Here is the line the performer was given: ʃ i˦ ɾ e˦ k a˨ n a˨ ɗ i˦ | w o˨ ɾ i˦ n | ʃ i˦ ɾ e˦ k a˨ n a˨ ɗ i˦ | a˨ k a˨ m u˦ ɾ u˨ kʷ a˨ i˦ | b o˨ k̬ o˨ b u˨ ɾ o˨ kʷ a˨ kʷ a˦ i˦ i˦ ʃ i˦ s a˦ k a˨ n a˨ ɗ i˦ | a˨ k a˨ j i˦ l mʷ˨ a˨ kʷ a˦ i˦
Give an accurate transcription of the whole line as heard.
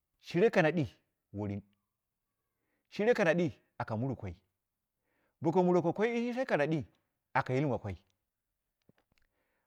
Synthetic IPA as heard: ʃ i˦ ɾ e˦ k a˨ n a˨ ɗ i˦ | w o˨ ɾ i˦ n | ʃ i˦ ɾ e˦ k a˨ n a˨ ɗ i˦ | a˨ k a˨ m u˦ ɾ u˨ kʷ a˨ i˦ | b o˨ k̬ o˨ m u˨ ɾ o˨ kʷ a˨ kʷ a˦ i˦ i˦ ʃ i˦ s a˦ k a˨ n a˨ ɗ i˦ | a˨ k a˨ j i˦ l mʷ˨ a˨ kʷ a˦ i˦

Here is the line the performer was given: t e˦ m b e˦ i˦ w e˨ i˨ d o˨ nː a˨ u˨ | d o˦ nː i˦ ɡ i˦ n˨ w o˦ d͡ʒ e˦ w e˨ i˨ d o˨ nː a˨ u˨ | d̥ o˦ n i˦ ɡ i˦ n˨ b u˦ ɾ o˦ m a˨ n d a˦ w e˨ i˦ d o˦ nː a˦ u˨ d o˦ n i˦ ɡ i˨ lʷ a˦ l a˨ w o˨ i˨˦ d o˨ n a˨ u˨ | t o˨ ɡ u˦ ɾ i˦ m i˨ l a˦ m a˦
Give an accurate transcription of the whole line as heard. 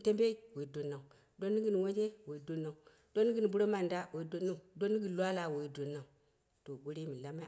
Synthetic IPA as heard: t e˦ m b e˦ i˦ w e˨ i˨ d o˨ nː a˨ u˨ | d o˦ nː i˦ ɡ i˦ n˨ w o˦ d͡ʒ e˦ w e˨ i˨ d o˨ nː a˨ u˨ | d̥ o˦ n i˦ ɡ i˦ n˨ b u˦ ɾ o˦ m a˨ n d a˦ w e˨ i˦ d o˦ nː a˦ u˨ d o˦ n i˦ ɡ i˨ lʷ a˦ l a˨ w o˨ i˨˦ d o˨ n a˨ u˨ | t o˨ ɡ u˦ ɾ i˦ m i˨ l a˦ m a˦

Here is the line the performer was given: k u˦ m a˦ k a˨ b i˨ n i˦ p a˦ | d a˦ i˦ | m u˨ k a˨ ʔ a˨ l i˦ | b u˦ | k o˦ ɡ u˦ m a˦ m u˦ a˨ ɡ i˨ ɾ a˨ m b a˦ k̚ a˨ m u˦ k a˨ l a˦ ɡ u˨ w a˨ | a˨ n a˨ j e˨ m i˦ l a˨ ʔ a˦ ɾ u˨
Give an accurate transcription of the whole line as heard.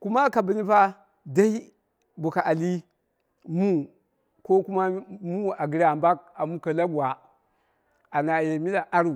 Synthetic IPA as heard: k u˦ m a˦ k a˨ b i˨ n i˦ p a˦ | d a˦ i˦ | b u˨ k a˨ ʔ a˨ l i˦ | m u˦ | k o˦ k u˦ m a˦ m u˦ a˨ ɡ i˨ ɾ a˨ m b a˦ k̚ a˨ m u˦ k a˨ l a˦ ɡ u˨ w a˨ | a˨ n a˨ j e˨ m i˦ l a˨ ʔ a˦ ɾ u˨

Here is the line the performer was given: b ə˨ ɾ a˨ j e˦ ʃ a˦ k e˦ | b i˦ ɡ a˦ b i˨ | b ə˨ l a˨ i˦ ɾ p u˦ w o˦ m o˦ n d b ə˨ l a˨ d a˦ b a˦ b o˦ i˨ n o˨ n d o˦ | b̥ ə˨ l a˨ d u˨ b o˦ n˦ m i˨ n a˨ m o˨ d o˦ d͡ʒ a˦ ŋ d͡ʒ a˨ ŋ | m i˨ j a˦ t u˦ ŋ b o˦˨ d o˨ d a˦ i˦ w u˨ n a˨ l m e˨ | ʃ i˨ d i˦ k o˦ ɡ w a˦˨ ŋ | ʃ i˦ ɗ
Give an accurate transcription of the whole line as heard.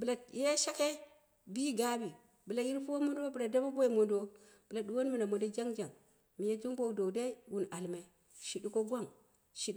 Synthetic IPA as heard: b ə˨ l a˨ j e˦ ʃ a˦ k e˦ | b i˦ ɡ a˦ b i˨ | b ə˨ l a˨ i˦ ɾ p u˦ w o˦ m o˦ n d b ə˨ l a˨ d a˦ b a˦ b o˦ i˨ m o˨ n d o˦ | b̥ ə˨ l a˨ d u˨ w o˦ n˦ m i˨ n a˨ m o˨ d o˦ d͡ʒ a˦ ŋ d͡ʒ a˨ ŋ | m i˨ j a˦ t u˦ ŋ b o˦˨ d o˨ d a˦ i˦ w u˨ n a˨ l m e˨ | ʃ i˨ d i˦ k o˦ ɡ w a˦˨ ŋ | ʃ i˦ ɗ

